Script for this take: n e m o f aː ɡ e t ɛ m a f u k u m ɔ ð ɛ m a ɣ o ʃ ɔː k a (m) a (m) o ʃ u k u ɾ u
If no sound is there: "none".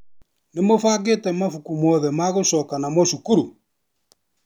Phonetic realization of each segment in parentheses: n, m

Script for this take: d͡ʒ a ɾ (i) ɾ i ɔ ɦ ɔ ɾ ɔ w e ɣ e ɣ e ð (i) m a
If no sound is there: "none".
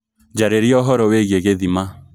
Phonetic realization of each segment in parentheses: e, i

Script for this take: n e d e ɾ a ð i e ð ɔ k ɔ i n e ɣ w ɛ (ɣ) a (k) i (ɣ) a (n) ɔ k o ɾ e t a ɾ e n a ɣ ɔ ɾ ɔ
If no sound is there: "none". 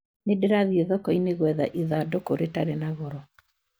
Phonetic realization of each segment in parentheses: ð, ʔ, ð, d

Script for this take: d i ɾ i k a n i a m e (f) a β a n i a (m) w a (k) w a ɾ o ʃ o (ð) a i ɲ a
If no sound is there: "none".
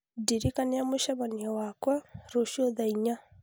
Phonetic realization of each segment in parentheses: ʃ, none, k, ð

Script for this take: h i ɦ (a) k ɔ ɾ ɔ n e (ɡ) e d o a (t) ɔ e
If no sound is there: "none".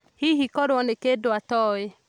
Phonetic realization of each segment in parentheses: i, k, t

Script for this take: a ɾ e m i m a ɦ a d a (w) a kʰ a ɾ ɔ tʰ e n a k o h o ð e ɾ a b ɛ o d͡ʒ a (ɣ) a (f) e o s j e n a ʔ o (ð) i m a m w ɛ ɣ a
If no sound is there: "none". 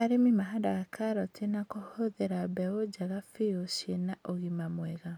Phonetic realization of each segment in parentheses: ɣ, ɣ, f, ɣ

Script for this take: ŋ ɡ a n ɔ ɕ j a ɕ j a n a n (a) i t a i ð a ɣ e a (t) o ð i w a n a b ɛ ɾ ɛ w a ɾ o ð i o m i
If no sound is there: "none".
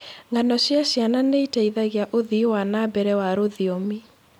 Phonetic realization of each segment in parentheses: e, ʔ

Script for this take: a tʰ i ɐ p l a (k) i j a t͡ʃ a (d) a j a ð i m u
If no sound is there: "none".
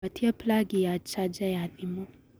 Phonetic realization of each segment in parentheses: ɡ, d͡ʒ

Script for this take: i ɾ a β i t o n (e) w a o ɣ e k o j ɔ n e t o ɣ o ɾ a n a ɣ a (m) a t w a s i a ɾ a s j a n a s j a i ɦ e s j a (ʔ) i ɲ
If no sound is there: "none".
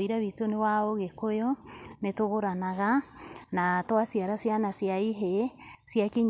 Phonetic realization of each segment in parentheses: e, n, k

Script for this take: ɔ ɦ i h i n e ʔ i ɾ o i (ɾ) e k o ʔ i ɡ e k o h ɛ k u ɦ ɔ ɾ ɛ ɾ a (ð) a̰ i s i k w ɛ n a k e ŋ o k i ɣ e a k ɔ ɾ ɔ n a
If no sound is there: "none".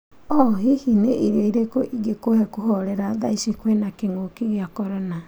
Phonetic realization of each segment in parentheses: ɾ, ð

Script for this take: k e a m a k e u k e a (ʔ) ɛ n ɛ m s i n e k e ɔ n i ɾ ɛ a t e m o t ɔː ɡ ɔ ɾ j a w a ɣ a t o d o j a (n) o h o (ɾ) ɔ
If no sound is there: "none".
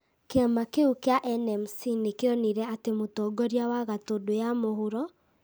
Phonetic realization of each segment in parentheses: ʔ, m, ɾ

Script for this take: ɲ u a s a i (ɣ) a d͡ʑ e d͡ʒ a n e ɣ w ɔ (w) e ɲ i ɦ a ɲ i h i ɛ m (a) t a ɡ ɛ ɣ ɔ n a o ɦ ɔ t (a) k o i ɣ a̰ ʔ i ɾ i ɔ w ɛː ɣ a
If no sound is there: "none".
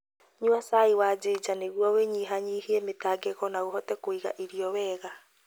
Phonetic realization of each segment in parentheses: w, w, e, ɛ

